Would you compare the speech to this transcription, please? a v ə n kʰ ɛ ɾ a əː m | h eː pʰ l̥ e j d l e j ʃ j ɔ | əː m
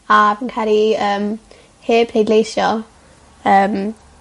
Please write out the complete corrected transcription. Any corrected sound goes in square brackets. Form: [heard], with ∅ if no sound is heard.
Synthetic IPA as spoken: a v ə n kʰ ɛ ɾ [i] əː m | h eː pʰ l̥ e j d l e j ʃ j ɔ | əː m

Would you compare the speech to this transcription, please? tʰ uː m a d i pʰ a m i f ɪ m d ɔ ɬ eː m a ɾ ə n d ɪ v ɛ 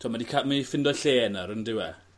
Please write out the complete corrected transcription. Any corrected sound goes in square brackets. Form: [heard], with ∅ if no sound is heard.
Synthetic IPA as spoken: tʰ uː m a d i [kʰ] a m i f ɪ [n] d ɔ ɬ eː [n] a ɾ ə n d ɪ [w] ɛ

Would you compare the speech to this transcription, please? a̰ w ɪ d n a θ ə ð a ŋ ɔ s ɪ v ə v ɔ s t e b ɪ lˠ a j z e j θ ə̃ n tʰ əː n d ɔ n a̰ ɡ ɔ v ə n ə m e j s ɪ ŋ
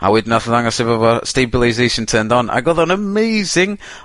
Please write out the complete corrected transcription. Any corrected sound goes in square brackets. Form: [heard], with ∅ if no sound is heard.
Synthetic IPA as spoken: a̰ w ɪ d n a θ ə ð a ŋ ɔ s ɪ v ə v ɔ s t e b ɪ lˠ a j z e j [ʃ] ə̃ n tʰ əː n d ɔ n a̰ ɡ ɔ [ð] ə n ə m e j [z] ɪ ŋ

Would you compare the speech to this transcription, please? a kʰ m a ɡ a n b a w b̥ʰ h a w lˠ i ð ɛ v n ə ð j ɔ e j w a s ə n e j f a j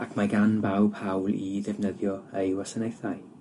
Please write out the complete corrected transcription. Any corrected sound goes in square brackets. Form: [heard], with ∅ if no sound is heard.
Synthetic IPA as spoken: a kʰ m a ɡ a n b a w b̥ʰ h a w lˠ i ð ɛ v n ə ð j ɔ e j w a s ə n e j [θ] a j

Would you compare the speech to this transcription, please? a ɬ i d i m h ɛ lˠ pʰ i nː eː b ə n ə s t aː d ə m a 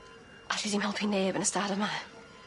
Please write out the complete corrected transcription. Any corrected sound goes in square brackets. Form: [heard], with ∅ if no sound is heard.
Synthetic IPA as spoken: a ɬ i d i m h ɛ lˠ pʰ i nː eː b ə n ə s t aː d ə m a

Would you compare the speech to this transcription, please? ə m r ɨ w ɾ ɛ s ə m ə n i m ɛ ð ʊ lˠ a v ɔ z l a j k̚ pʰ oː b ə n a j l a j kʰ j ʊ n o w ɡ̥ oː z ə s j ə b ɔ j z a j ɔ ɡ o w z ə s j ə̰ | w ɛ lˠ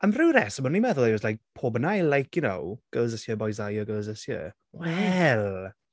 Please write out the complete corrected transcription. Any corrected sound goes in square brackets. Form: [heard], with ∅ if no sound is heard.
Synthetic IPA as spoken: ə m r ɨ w ɾ ɛ s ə m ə n i m ɛ ð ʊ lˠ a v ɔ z l a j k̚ pʰ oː b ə n a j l a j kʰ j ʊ n o w ɡ̥ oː z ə s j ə b ɔ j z a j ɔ ɡ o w z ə s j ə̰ | w ɛ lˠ

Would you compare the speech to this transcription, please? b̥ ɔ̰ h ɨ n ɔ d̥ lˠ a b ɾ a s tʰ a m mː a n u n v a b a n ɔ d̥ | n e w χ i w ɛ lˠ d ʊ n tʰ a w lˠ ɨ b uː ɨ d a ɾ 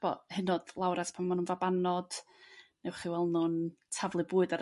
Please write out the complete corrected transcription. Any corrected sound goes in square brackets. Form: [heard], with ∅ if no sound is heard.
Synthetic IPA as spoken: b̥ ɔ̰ h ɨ n ɔ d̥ lˠ a [w] ɾ a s [pʰ] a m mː a n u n v a b a n ɔ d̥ | n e w χ i w ɛ lˠ [n] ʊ n tʰ a [v] lˠ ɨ b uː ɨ d a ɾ

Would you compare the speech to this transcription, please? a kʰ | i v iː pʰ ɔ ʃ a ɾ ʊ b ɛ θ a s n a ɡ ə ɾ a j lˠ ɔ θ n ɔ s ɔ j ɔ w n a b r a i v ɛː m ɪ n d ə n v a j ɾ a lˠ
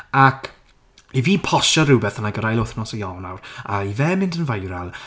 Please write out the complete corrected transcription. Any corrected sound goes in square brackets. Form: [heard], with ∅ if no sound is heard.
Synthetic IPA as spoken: a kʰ | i v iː pʰ ɔ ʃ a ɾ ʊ b ɛ θ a [∅] n a ɡ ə ɾ a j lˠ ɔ θ n ɔ s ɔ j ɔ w n a [w] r a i v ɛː m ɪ n d ə n v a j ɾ a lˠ

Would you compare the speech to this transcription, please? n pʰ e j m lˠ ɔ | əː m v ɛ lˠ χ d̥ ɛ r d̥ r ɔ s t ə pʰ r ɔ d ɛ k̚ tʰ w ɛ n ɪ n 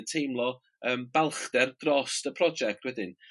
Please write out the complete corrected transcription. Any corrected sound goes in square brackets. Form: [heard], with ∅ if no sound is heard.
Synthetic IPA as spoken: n [tʰ] e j m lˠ ɔ | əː m [b] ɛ lˠ χ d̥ ɛ r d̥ r ɔ s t ə pʰ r ɔ [d͡ʒ] ɛ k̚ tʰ w ɛ [d] ɪ n

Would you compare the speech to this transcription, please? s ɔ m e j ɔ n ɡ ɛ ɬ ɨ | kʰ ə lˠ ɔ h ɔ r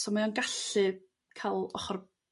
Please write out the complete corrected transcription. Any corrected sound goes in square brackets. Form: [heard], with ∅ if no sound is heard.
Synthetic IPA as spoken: s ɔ m [a] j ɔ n ɡ [a] ɬ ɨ | kʰ [a] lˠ ɔ [χ] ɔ r

